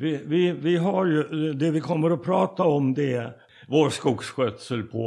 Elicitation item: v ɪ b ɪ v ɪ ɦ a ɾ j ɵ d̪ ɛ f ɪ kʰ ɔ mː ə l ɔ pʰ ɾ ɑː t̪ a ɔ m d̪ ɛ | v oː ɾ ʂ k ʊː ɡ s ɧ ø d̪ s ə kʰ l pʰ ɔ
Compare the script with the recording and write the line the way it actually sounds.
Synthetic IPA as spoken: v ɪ v ɪ v ɪ ɦ a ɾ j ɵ d̪ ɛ v ɪ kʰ ɔ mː ə ɾ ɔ pʰ ɾ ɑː t̪ a ɔ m d̪ ɛ | v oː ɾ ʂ k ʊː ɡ s ɧ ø t̪ s ə l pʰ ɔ